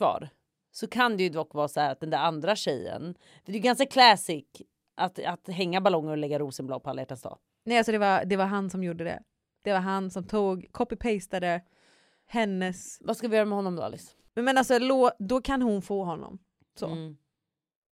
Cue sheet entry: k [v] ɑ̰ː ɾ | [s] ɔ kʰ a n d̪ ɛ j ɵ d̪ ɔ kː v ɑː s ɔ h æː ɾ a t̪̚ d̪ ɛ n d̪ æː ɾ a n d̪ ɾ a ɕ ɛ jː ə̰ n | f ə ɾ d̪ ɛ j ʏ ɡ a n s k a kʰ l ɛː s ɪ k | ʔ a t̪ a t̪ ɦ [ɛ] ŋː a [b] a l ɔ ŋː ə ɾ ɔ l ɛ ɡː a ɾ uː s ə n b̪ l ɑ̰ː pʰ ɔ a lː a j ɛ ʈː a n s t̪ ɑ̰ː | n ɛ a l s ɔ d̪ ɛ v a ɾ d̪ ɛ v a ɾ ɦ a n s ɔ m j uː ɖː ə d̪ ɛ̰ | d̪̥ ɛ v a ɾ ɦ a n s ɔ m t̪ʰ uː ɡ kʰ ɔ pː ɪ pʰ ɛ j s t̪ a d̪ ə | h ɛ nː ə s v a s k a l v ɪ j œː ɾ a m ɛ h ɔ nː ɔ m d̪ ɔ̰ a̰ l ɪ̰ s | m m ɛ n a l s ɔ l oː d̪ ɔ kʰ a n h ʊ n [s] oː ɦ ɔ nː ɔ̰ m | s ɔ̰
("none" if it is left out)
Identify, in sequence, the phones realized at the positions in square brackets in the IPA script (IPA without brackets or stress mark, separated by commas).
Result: v, s, ɛ, b, f